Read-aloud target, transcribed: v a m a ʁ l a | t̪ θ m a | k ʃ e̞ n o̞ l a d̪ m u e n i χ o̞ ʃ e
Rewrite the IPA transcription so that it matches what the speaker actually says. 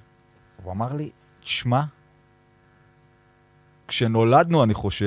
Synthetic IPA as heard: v a m a ʁ l i | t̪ ʃ m a | k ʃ e̞ n o̞ l a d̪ n u a n i χ o̞ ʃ e